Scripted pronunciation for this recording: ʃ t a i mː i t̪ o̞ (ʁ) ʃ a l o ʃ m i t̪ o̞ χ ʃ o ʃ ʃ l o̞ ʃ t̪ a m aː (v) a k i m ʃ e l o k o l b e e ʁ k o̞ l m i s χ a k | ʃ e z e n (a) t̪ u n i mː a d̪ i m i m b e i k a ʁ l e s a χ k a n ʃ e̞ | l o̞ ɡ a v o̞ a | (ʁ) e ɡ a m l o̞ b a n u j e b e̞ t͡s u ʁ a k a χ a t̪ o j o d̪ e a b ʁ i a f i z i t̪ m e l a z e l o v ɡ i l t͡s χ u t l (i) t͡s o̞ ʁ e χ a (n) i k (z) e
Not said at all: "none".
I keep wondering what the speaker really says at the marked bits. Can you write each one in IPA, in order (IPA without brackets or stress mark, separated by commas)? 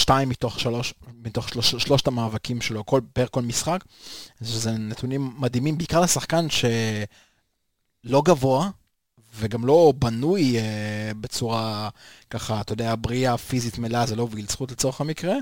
χ, v, e, v, e, m, ʁ